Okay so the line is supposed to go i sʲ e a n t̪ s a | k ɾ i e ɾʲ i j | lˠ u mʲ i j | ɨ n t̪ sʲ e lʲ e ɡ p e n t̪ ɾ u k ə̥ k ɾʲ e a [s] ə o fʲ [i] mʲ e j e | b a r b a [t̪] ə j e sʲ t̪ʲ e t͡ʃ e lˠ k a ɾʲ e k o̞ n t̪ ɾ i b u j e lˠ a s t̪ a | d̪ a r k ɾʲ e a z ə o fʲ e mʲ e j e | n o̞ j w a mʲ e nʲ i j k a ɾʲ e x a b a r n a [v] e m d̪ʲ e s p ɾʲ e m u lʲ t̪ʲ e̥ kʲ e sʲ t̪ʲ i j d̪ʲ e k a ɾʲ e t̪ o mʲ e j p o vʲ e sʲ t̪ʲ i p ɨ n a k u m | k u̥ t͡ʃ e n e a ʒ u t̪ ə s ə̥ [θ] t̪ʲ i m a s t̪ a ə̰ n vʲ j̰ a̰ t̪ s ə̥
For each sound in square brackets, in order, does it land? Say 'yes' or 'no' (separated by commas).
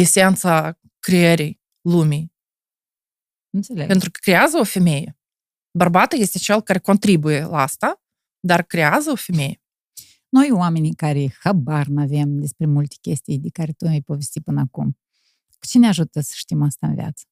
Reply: no, no, yes, yes, no